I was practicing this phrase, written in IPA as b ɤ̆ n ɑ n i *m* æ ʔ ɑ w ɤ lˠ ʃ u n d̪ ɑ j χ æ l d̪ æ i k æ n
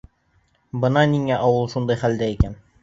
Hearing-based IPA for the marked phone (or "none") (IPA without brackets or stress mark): ŋ